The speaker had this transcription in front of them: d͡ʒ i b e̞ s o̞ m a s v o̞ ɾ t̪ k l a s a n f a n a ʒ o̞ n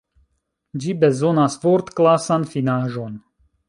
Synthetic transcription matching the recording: d͡ʒ i b e̞ z o̞ n a s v o̞ ɾ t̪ k l a s a n f i n a ʒ o̞ n